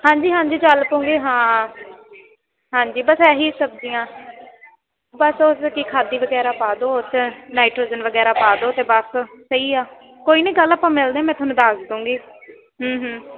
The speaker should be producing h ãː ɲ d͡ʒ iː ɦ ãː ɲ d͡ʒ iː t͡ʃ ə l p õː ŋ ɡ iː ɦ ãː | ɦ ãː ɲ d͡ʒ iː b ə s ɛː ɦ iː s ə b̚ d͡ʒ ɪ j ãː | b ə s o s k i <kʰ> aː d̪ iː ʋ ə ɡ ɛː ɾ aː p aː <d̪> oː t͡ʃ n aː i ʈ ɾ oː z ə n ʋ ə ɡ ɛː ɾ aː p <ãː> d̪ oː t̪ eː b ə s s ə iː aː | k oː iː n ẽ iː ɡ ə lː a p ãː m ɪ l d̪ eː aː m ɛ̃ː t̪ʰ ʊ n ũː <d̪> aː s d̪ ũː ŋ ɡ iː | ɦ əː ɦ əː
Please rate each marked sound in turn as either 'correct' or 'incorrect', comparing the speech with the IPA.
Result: correct, correct, incorrect, correct

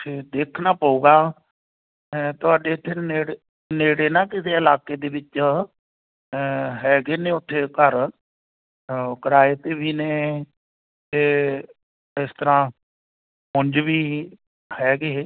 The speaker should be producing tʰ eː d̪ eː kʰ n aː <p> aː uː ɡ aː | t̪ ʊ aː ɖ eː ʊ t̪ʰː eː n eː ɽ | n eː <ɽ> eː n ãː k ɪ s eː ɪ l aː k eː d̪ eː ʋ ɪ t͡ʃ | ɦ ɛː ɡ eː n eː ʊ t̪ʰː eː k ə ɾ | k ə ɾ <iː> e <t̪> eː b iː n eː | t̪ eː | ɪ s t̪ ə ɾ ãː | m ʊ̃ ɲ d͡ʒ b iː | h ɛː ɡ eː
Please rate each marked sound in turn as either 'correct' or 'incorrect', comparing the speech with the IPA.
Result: correct, correct, incorrect, correct

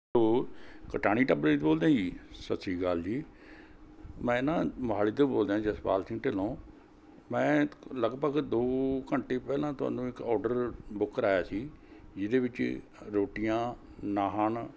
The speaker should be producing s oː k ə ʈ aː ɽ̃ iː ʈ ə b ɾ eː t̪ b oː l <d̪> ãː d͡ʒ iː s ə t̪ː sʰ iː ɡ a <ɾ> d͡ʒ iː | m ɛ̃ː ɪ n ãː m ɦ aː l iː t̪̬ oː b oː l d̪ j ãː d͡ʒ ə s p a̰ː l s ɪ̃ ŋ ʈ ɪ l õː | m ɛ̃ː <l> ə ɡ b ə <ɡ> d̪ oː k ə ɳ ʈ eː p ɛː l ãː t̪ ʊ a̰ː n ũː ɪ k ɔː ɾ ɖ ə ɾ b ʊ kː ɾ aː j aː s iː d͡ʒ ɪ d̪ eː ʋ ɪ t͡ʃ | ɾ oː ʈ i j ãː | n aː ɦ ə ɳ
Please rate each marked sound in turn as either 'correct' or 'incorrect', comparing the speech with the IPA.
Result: correct, incorrect, correct, correct

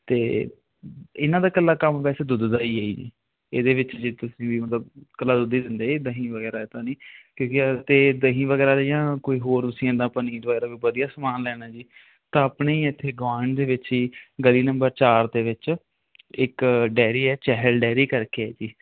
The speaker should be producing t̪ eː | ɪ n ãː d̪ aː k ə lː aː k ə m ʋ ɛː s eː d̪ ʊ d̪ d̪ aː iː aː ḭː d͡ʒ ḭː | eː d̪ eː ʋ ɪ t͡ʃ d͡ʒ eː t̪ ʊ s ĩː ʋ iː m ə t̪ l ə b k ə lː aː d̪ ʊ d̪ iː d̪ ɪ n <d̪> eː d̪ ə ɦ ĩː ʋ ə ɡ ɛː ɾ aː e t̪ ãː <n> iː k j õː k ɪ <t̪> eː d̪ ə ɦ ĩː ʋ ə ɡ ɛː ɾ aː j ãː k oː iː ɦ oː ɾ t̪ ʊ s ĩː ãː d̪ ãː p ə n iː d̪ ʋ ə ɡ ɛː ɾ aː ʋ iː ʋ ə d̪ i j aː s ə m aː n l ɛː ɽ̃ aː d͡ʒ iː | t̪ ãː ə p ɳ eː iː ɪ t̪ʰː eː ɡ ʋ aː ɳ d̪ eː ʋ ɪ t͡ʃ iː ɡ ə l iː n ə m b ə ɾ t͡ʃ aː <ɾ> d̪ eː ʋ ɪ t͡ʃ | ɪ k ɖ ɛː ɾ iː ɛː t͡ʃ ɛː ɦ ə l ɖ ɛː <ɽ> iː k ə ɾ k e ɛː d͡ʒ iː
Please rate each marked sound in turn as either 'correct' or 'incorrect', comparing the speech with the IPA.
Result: correct, correct, correct, correct, incorrect

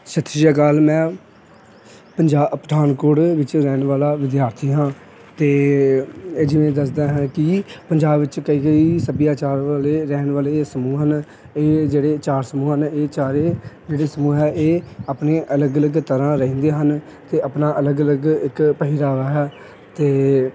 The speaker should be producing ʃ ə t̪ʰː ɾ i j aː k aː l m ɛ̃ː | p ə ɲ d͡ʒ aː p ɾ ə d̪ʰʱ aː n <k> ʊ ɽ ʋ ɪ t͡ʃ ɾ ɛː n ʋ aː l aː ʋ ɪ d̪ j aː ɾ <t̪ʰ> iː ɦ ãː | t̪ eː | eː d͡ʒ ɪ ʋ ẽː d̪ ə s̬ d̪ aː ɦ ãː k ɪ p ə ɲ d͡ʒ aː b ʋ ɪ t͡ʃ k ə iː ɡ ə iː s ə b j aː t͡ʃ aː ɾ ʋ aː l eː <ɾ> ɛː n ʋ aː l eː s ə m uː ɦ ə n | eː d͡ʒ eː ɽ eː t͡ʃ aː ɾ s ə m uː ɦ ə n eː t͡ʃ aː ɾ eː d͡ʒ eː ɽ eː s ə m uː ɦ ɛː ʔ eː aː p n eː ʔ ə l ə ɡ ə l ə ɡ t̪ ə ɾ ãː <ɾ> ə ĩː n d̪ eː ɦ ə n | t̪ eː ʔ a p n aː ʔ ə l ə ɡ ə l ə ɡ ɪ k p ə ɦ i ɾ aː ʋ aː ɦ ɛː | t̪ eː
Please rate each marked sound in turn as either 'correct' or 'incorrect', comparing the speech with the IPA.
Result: correct, correct, correct, correct

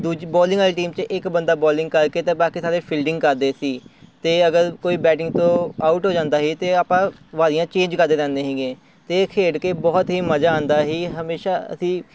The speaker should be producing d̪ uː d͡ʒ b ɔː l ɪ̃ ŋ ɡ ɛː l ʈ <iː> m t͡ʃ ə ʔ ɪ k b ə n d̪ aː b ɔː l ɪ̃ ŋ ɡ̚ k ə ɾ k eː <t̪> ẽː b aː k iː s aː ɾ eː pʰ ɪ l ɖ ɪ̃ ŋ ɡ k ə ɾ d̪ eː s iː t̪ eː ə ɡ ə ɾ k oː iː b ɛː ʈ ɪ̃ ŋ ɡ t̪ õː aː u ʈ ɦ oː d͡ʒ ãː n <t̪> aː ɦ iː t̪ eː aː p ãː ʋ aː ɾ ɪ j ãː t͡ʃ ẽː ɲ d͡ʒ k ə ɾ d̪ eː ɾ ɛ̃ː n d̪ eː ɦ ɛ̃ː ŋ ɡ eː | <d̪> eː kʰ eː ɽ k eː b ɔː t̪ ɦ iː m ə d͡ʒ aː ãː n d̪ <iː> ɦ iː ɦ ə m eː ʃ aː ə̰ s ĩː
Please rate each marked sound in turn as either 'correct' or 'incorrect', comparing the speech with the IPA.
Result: correct, correct, incorrect, incorrect, incorrect

